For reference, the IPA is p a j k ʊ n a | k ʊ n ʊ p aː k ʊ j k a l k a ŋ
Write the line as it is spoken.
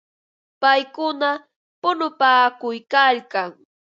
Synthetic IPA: p a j k ʊ n a | p ʊ n ʊ p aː k ʊ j k a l k a ŋ